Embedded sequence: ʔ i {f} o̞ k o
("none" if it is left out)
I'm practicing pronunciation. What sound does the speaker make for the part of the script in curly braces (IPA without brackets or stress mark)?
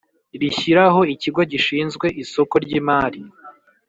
s